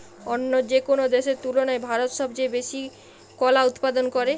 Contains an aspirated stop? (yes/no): no